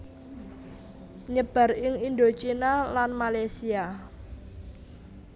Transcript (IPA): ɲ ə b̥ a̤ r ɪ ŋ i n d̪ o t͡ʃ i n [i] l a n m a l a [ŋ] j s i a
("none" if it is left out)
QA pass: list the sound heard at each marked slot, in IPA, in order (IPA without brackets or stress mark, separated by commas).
a, none